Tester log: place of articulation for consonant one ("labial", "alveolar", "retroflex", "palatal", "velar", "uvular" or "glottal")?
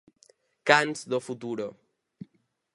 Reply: velar